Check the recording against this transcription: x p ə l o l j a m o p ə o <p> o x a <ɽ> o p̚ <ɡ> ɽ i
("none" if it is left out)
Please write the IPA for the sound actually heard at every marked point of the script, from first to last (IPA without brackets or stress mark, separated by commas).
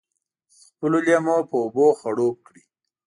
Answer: b, ɽ, k